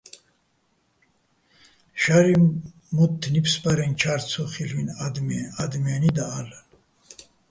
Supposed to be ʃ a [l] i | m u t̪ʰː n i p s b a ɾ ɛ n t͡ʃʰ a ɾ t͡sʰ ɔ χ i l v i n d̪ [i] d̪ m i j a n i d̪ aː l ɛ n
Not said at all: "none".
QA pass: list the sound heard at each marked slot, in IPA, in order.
ɾ, a

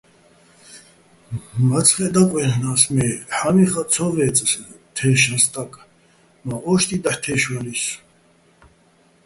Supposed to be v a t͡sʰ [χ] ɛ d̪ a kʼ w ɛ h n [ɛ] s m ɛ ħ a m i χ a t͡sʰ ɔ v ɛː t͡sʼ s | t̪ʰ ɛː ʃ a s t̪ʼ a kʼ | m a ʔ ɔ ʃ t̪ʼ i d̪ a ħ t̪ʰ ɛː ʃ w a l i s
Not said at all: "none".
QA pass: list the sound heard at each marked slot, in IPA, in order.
χ, a

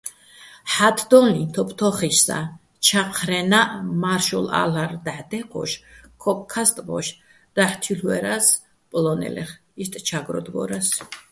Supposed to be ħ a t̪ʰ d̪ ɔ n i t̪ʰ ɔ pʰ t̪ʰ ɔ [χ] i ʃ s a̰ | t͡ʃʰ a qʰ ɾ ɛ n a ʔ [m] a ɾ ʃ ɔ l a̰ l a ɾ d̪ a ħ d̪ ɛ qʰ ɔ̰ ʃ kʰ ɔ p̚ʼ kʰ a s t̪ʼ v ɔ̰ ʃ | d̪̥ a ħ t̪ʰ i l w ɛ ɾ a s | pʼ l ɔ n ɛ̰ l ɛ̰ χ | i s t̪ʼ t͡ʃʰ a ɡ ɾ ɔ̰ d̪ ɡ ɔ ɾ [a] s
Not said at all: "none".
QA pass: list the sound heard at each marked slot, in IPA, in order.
χ, m, a

